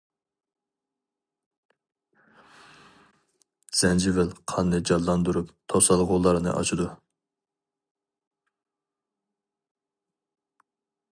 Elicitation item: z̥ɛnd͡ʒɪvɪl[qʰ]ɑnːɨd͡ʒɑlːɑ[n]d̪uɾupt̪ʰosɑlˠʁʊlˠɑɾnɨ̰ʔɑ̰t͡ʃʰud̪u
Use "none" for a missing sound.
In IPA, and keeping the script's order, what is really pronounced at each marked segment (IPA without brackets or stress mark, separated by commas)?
qʰ, n